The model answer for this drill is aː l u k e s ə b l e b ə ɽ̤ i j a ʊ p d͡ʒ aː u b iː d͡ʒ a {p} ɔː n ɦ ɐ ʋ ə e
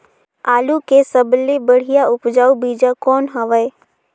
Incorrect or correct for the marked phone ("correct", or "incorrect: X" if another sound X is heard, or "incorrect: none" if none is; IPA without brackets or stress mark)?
incorrect: k